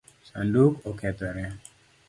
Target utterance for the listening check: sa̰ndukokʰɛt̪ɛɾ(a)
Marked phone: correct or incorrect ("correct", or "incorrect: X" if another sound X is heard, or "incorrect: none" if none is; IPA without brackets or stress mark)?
incorrect: ɛ